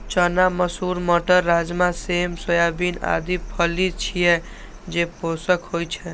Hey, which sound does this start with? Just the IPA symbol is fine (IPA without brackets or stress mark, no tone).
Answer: t͡ʃ